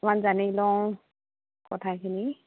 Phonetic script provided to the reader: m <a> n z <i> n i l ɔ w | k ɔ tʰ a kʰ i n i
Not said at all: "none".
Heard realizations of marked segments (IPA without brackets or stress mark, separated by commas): a, a